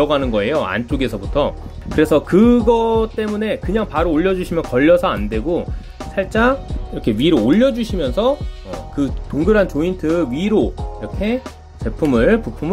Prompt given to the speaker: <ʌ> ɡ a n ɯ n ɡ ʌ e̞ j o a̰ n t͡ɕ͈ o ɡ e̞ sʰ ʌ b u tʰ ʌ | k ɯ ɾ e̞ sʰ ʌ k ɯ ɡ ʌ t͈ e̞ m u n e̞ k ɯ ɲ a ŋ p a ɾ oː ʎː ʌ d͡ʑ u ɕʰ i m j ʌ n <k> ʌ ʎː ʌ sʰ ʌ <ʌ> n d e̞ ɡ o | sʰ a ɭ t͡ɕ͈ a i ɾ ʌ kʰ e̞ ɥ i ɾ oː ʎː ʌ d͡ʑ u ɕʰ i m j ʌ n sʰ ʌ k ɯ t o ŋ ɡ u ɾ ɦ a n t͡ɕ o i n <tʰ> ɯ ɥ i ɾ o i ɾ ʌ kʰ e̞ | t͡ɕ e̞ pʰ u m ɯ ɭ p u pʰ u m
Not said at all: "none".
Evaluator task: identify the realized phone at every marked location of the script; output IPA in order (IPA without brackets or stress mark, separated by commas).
ʌ, k, a, tʰ